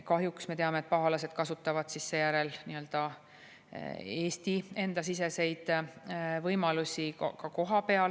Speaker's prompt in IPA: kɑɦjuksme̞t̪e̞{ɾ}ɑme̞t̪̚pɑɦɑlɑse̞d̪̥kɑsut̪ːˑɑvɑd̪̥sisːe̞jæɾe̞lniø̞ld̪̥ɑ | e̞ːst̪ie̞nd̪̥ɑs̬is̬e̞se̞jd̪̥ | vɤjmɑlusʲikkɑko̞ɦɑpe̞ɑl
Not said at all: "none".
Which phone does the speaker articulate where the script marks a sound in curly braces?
none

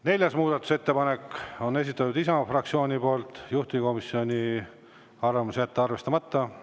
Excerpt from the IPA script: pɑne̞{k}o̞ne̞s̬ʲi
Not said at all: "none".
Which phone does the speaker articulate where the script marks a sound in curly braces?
k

